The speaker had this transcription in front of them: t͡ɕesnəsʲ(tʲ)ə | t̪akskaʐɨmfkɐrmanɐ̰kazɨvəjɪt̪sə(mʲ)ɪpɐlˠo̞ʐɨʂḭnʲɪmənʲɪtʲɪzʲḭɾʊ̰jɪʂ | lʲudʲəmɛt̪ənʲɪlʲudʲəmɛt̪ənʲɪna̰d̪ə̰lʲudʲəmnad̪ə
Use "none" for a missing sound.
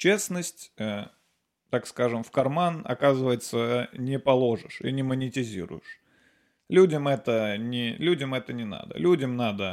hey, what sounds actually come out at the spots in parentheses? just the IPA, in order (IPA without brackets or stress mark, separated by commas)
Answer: tʲ, nʲ